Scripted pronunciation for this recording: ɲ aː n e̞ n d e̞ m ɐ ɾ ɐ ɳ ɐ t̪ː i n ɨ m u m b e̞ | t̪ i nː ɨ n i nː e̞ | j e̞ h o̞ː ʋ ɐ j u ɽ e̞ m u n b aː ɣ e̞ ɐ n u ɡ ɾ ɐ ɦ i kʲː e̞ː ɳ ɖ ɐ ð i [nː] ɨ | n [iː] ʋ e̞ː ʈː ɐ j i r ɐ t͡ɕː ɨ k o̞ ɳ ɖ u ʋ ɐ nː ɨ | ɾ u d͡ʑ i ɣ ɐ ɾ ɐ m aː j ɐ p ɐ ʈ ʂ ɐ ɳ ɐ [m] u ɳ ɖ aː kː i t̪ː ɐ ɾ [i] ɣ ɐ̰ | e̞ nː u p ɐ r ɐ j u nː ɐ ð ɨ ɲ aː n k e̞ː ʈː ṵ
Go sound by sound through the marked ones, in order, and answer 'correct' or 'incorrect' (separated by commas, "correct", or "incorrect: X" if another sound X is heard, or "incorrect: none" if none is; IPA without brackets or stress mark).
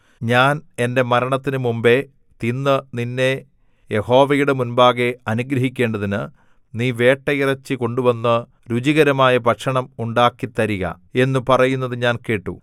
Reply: incorrect: n, correct, correct, correct